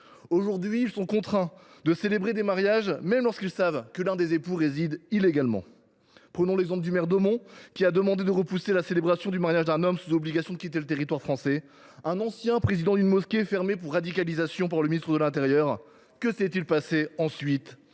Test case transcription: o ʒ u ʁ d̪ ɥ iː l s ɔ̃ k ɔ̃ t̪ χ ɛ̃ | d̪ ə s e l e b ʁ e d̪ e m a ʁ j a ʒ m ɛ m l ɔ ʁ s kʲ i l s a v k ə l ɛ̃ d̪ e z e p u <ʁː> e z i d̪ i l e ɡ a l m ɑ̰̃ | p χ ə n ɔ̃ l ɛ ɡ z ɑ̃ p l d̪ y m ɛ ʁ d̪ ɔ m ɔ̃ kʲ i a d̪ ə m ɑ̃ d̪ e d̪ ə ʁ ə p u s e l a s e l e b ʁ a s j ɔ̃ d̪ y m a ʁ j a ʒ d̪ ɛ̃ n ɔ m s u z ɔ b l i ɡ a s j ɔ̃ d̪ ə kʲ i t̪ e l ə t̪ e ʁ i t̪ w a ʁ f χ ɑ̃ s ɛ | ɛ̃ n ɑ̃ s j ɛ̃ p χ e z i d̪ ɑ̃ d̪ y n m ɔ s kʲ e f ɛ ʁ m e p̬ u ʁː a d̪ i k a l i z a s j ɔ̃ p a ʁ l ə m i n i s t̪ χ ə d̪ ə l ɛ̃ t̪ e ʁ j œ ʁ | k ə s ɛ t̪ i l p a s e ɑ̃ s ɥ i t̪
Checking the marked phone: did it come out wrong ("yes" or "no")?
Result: yes